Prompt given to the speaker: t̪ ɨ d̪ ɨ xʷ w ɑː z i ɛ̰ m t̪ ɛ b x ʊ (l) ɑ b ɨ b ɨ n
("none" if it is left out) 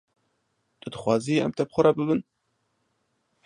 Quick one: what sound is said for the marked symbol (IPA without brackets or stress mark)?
ɾ